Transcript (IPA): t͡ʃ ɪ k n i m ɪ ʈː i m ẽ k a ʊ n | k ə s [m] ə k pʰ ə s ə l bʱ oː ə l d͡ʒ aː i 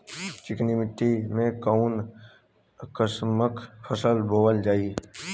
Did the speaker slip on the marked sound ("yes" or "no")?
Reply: no